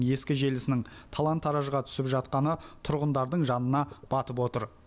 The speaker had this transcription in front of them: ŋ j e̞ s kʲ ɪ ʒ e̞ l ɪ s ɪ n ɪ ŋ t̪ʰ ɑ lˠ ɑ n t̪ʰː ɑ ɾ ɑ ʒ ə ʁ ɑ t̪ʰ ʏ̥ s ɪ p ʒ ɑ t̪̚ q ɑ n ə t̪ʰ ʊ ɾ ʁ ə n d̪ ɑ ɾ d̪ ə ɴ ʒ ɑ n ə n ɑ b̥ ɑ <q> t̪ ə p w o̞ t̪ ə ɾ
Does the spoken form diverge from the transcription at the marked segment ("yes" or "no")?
yes